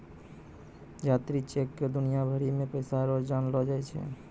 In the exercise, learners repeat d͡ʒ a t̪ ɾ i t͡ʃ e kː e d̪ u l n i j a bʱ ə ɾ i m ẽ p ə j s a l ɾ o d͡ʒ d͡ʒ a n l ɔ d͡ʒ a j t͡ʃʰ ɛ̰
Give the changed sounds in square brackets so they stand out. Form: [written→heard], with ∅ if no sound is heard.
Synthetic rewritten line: d͡ʒ a t̪ ɾ i t͡ʃ e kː e d̪ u [l→∅] n i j a bʱ ə ɾ i m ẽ p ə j s a [l→∅] ɾ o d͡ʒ d͡ʒ a n l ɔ d͡ʒ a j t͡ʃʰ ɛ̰